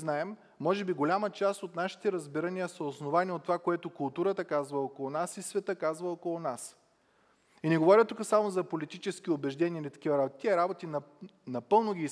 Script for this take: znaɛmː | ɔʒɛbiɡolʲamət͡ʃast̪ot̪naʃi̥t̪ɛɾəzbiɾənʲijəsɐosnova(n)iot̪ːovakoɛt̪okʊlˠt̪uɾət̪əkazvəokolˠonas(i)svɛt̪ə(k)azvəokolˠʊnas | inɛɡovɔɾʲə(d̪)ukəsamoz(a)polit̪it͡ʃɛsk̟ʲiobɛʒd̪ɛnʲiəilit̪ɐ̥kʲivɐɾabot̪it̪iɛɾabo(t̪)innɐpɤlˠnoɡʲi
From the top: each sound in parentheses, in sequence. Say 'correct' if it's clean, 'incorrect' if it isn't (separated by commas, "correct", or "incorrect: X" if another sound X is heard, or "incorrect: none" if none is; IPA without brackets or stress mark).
correct, correct, correct, incorrect: t̪, incorrect: ɐ, correct